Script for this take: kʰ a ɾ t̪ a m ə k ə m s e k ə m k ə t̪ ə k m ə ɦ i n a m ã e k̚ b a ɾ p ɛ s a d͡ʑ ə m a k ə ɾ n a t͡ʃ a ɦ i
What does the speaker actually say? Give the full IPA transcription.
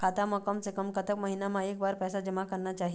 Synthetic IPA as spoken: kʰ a t̪ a m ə k ə m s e k ə m k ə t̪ ə k m ə ɦ i n a m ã e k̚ b a ɾ p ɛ s a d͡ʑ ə m a k ə ɾ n a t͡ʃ a ɦ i